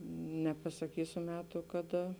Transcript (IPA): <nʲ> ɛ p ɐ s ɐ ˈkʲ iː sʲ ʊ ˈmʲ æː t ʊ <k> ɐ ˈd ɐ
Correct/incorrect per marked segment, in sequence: correct, correct

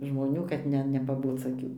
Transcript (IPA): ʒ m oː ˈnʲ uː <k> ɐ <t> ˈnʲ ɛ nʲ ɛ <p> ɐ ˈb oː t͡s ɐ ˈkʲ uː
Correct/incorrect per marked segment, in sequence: correct, correct, correct

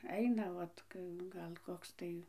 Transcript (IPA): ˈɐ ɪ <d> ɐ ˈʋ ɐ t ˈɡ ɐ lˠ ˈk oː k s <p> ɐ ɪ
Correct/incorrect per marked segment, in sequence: incorrect: n, incorrect: t

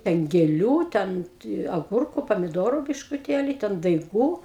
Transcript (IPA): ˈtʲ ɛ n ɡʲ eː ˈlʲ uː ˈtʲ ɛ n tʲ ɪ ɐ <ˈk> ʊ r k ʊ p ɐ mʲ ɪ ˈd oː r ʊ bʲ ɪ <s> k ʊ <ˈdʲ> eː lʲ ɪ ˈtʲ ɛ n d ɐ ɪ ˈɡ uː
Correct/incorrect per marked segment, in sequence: incorrect: ɡ, incorrect: ʃ, incorrect: tʲ

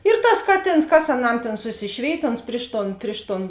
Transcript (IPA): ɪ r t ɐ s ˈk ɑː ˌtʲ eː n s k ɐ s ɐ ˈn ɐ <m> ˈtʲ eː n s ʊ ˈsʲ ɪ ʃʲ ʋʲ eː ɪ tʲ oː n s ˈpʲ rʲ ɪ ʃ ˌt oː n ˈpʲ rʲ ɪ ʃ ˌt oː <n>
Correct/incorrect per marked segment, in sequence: correct, correct

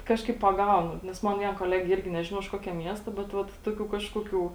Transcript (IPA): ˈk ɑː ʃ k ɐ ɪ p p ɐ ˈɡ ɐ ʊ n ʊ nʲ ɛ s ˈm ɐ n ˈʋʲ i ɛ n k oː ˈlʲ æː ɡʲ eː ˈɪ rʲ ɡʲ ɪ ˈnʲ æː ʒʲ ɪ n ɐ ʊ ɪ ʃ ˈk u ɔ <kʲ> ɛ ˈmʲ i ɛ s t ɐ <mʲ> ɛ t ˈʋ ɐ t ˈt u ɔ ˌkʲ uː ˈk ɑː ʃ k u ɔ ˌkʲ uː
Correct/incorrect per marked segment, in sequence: correct, incorrect: bʲ

